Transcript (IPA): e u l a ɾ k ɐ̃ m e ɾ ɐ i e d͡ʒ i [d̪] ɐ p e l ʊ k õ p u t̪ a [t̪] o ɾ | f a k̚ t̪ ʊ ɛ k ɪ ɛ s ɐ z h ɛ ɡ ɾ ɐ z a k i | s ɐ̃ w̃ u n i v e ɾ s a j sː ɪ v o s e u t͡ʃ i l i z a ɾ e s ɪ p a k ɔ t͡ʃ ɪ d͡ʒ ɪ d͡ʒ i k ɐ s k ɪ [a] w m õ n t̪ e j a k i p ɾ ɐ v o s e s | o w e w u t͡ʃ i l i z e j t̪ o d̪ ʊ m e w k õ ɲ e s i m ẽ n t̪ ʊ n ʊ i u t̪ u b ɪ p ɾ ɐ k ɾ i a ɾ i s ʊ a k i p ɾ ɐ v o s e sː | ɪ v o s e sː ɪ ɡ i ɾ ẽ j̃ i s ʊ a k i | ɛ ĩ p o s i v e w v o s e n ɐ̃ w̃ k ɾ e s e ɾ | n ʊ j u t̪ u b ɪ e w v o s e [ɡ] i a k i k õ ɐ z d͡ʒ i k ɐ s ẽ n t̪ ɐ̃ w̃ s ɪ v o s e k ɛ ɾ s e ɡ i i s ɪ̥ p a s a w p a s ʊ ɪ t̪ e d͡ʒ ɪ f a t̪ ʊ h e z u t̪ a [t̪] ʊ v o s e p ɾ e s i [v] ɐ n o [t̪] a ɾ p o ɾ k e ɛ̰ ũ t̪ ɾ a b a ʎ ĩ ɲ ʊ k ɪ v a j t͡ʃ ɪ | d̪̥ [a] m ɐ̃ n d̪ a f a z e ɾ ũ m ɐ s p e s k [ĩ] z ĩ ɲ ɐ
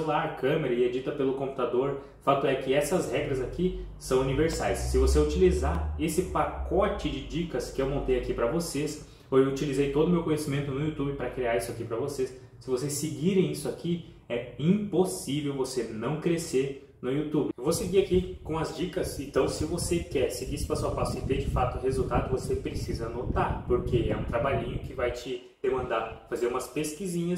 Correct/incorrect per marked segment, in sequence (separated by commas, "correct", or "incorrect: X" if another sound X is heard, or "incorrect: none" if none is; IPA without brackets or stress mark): incorrect: t̪, incorrect: d̪, incorrect: e, correct, incorrect: d̪, incorrect: z, correct, incorrect: e, incorrect: i